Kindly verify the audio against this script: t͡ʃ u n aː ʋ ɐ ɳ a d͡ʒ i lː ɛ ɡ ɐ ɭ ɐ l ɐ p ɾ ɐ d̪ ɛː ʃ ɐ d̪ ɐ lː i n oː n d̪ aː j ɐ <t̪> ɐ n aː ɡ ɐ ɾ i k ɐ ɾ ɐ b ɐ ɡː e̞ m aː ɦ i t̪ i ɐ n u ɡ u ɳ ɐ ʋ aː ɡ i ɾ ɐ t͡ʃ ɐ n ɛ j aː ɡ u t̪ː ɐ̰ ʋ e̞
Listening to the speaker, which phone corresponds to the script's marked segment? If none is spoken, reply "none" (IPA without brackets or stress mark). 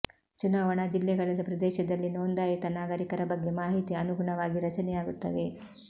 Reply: t̪